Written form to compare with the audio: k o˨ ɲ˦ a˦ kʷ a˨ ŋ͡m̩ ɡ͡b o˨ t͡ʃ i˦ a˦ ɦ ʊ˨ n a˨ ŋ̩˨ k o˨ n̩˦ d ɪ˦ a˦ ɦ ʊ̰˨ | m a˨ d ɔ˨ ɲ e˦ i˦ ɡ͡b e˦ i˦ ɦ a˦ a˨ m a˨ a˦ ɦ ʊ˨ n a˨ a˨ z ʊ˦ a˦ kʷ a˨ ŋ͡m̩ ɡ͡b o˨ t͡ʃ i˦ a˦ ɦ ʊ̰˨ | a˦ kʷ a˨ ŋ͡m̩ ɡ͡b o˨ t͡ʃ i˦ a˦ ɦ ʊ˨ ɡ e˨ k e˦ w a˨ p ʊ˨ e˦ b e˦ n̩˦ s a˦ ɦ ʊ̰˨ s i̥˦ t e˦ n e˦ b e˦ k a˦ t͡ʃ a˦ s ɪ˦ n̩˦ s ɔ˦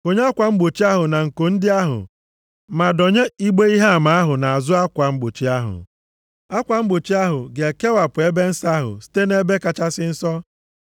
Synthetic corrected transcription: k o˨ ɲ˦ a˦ kʷ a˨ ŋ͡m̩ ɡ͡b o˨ t͡ʃ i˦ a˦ ɦ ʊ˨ n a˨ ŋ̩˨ k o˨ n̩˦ d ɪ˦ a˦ ɦ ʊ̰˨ | m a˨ d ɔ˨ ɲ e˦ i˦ ɡ͡b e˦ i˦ ɦ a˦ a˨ m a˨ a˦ ɦ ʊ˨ n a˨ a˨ z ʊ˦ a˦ kʷ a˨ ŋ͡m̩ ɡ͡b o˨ t͡ʃ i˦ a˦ ɦ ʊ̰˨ | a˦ kʷ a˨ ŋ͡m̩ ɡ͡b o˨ t͡ʃ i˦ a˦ ɦ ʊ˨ ɡ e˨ k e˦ w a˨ p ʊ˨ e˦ b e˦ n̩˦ s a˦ ɦ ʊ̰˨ s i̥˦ t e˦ n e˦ b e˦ k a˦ t͡ʃ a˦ s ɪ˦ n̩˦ s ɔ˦